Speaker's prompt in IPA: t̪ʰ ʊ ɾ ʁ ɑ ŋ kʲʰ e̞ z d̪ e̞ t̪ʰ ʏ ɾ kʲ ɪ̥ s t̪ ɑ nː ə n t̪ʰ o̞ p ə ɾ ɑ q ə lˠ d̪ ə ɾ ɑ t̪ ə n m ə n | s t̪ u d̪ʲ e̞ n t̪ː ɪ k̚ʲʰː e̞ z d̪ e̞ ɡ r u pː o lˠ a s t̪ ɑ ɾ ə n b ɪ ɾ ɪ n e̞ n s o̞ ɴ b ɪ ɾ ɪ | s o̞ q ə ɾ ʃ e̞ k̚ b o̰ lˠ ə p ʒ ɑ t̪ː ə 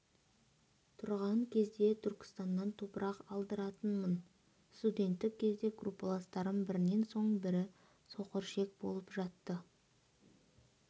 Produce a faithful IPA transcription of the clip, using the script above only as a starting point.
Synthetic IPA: t̪ʰ ʊ ɾ ʁ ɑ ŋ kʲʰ e̞ z d̪ e̞ t̪ʰ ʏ ɾ kʲ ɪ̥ s t̪ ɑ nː ɑ n t̪ʰ o̞ p ə ɾ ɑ q ɑ lˠ d̪ ə ɾ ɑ t̪ ə n m ə n | s t̪ u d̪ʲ e̞ n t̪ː ɪ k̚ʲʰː e̞ z d̪ e̞ ɡ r u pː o lˠ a s t̪ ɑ ɾ ə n b ɪ ɾ ɪ n e̞ n s o̞ ɴ b ɪ ɾ ɪ | s o̞ q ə ɾ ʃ e̞ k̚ b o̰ lˠ ə p ʒ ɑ t̪ː ə